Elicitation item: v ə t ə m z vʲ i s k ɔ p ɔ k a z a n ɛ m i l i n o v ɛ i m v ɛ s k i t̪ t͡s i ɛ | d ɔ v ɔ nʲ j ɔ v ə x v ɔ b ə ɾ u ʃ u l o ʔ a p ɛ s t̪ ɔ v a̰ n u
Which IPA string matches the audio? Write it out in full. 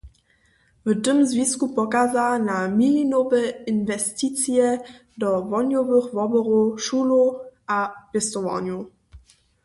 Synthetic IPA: v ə t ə m z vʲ i s k u p ɔ k a z a n a m i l i n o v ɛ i n v ɛ s t i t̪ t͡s j ɛ | d ɔ v ɔ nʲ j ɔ v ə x v ɔ b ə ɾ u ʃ u l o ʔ a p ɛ s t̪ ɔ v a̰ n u